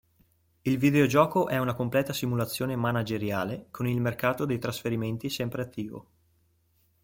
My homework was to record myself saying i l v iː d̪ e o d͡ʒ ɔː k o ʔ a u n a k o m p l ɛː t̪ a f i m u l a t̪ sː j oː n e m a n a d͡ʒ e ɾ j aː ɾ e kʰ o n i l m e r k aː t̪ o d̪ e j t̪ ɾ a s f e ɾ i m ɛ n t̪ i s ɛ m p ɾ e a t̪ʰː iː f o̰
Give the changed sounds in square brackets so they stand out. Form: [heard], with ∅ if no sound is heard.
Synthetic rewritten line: i l v [i] d̪ e o d͡ʒ ɔː k o ʔ [ɛ] u n a k o m p l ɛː t̪ a [s] i m u l a t̪ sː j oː n e m a n a d͡ʒ e ɾ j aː [l] e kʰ o n i l m e r k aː t̪ o d̪ e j t̪ ɾ a s f e ɾ i m [e] n t̪ i s ɛ m p ɾ e a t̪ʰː iː [v] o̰